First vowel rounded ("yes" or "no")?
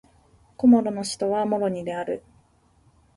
yes